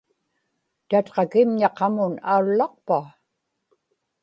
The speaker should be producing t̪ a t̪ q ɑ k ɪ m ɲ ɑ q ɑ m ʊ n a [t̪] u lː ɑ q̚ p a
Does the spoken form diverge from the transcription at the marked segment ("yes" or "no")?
yes